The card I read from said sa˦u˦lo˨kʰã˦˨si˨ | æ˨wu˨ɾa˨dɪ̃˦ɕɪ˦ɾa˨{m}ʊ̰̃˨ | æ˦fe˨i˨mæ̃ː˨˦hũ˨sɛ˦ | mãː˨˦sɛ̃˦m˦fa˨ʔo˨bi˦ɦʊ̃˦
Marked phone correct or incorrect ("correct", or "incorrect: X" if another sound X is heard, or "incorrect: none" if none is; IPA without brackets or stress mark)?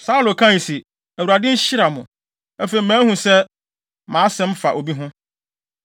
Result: correct